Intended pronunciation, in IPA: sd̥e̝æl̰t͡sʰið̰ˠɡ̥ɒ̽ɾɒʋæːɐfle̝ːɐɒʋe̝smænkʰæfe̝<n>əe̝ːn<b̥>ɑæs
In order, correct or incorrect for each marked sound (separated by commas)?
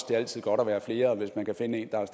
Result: correct, incorrect